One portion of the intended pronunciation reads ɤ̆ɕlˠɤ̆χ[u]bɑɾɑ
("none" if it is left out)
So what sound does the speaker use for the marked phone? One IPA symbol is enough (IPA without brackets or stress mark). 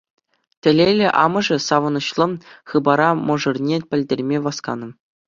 ɯ